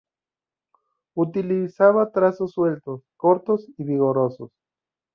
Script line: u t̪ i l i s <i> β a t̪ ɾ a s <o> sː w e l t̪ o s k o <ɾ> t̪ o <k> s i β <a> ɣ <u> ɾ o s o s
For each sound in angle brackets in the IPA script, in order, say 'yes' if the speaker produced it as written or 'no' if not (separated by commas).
no, yes, yes, no, no, no